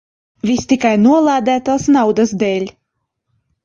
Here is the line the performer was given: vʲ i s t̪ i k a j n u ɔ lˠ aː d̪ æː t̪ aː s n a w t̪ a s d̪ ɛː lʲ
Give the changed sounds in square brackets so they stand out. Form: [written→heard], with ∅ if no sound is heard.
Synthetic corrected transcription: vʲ i s t̪ i k a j n u ɔ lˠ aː d̪ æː t̪ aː s n a w [t̪→d̪] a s d̪ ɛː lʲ